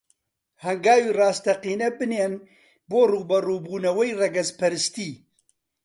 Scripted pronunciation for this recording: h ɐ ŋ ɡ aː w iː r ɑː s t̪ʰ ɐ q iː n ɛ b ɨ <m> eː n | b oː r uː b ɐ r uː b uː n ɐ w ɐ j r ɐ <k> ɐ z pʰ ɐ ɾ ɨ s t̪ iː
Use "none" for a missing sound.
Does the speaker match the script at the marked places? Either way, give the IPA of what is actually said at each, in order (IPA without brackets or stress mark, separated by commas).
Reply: n, ɡ